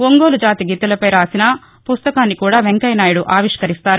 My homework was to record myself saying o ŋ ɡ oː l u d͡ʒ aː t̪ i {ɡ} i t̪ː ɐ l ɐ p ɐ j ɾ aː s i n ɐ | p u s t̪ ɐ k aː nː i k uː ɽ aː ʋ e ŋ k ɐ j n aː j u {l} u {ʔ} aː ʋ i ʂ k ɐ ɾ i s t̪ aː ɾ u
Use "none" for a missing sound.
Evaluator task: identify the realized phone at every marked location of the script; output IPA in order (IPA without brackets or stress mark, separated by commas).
ɡ, ɽ, ʔ